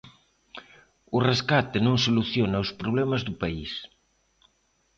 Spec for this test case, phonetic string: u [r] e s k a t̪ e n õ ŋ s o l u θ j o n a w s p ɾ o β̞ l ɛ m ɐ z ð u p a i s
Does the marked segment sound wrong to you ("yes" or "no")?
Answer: no